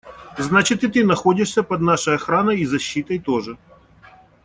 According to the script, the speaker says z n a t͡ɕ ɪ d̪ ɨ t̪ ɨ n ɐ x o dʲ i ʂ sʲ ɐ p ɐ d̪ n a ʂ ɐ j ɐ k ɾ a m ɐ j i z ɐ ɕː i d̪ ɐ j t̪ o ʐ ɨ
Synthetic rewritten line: z n a t͡ɕ ɪ t̪ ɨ t̪ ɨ n ɐ x o dʲ ɪ ʂ sʲ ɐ p ɐ d̪ n a ʂ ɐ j ɐ x ɾ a n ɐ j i z ɐ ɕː i t̪ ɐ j t̪ o ʐ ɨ

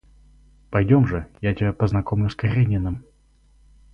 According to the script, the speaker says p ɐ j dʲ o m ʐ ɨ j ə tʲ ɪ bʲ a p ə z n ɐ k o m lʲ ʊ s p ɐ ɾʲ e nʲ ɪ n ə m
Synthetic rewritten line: p ɐ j dʲ o m ʐ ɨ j a tʲ ɪ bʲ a p ə z n ɐ k o m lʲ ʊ s k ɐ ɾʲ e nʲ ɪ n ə m

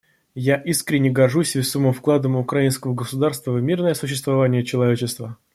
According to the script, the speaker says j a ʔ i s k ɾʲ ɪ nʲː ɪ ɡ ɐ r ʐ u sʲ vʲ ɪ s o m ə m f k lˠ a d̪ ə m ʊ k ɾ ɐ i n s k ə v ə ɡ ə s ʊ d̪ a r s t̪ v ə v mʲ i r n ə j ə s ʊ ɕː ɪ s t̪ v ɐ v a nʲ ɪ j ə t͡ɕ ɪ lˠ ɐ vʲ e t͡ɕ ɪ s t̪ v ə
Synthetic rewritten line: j a ʔ i s k ɾʲ ɪ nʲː ɪ ɡ ɐ r ʐ u sʲ vʲ ɪ s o m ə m f k lˠ a d̪ ə m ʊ k ɾ ɐ i n s k ə v ə ɡ ə s ʊ d̪ a r s t̪ v ə v mʲ i r n ə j ə s ʊ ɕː ɪ s t̪ v ɐ v a nʲ ɪ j ə t͡ɕ ɪ lˠ ɐ vʲ e t͡ɕ ɪ s t̪ v ə

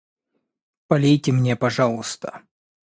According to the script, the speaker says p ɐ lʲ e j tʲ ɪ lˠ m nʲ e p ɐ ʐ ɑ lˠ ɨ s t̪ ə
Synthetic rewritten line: p ɐ lʲ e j tʲ ɪ m nʲ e p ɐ ʐ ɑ lˠ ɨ s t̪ ə

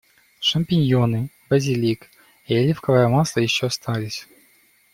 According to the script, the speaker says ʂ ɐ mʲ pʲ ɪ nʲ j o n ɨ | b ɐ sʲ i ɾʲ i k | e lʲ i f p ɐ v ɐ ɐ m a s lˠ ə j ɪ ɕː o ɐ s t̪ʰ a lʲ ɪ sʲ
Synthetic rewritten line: ʂ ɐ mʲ pʲ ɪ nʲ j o n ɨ | b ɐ zʲ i lʲ i k | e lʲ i f k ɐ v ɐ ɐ m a s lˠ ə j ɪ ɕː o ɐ s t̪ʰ a lʲ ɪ sʲ

